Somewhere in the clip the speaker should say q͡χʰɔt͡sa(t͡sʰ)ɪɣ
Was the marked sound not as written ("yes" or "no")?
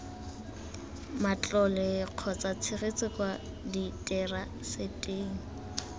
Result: no